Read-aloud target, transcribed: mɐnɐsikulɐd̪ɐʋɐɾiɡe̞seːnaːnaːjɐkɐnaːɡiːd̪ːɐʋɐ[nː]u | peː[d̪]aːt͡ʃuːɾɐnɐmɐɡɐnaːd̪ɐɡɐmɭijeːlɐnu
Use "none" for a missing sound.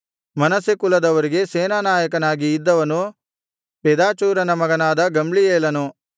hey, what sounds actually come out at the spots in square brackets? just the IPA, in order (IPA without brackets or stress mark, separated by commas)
n, d̪